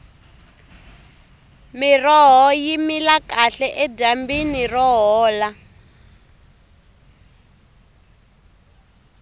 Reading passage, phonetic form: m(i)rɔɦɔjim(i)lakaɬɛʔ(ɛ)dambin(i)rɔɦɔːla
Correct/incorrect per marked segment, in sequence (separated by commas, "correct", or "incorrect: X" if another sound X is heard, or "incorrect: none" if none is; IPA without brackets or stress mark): correct, correct, correct, correct